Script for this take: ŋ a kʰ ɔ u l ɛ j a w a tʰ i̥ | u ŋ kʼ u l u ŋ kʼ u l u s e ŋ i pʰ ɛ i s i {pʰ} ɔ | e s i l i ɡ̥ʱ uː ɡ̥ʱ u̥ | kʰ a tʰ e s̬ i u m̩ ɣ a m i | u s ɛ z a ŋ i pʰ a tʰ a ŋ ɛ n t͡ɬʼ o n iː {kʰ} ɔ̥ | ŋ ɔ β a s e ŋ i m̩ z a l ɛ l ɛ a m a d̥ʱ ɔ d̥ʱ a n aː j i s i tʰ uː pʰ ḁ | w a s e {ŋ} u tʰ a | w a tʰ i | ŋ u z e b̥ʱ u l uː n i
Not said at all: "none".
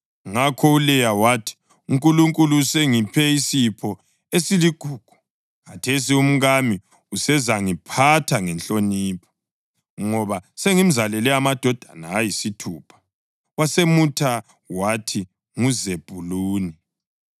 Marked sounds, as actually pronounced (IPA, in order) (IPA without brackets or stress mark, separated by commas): pʰ, pʰ, m